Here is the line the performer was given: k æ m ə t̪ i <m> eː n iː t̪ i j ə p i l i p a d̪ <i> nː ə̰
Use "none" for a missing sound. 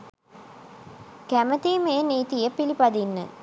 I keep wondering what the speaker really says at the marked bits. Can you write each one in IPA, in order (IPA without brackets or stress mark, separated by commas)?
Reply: m, i